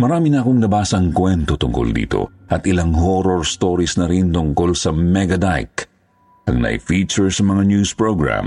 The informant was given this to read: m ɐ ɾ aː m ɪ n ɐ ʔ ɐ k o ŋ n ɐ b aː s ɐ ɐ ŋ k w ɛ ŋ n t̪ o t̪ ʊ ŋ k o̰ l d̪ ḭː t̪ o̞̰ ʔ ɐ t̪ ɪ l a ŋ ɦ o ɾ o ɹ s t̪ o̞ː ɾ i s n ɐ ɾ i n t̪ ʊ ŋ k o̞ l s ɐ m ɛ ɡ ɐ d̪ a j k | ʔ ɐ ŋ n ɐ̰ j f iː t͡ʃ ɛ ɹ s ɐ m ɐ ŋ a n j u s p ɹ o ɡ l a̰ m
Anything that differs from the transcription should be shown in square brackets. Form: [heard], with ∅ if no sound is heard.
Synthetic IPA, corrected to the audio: m ɐ ɾ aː m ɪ n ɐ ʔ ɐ k o ŋ n ɐ b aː s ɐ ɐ ŋ k w ɛ [∅] n t̪ o t̪ ʊ ŋ k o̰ l d̪ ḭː t̪ o̞̰ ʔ ɐ t̪ ɪ l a ŋ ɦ o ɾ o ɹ s t̪ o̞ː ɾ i s n ɐ ɾ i n t̪ ʊ ŋ k o̞ l s ɐ m ɛ ɡ ɐ d̪ a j k | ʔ ɐ ŋ n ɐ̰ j f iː t͡ʃ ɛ ɹ s ɐ m ɐ ŋ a n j u s p ɹ o ɡ [ɹ] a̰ m